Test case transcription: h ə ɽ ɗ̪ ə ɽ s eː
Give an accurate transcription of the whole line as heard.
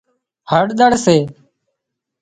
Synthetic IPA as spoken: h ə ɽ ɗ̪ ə ɽ s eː